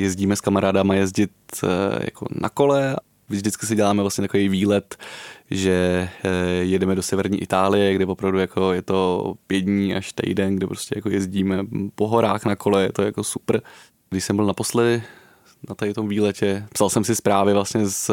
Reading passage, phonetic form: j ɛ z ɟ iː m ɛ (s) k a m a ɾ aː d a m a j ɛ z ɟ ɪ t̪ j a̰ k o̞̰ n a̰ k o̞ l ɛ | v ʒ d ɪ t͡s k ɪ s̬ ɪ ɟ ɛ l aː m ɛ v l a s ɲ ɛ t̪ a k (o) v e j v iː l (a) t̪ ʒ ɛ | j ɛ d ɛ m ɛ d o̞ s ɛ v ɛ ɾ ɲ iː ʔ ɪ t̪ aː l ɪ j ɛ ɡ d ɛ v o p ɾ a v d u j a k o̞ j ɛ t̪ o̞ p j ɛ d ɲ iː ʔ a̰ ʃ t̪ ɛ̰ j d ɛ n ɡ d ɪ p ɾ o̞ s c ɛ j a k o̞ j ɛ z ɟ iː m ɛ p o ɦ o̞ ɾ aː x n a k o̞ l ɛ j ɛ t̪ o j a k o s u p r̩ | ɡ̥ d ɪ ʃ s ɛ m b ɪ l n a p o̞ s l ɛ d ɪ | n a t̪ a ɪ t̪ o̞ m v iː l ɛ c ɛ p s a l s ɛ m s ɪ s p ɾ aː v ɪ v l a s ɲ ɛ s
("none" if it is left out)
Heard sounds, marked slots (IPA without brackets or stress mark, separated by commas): s, o, ɛ